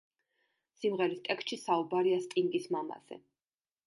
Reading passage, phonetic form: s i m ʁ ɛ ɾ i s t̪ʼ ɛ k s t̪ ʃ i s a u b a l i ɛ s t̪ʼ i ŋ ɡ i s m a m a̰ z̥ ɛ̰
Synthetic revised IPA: s i m ʁ ɛ ɾ i s t̪ʼ ɛ k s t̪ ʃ i s a u b a ɾ i a s t̪ʼ i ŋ ɡ i s m a m a̰ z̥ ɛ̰